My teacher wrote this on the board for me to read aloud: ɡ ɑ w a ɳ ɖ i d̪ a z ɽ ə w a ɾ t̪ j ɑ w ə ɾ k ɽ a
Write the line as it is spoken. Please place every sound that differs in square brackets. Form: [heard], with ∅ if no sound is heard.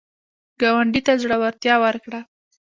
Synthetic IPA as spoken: ɡ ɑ w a ɳ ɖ i [t̪] a z ɽ ə w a ɾ t̪ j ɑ w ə ɾ k ɽ a